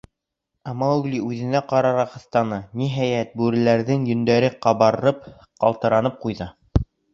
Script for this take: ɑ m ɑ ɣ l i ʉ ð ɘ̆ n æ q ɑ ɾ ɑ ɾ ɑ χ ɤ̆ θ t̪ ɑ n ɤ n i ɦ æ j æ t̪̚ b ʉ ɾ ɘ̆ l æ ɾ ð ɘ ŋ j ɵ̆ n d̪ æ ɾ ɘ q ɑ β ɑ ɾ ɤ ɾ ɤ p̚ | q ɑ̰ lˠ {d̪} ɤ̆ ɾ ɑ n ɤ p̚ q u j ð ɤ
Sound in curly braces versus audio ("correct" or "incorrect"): incorrect